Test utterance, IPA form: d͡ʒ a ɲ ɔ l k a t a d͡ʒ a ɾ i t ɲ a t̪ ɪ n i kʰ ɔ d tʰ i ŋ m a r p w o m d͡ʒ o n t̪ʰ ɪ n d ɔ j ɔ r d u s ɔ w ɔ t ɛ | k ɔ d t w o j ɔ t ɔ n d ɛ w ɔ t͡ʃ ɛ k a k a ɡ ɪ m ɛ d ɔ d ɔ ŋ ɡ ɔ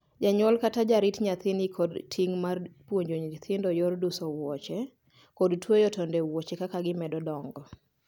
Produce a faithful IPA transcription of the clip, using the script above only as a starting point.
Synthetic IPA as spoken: d͡ʒ a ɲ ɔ l k a t a d͡ʒ a ɾ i t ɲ a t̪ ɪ n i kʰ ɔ d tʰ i ŋ m a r p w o ɲ d͡ʒ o ɲ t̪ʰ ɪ n d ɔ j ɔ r d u s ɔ w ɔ t͡ʃ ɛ | k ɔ d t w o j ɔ t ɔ n d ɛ w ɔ t͡ʃ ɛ k a k a ɡ ɪ m ɛ d ɔ d ɔ ŋ ɡ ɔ